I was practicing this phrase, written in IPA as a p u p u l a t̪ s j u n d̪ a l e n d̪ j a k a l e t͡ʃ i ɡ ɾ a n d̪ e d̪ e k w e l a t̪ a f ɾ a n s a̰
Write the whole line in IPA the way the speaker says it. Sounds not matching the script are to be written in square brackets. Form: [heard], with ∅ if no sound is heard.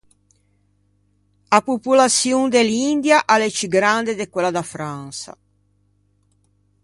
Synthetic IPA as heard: a p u p u l a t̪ s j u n d̪ [e] l [i] n d̪ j a [ʔ] a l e t͡ʃ i ɡ ɾ a n d̪ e d̪ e k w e l a [d̪] a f ɾ a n s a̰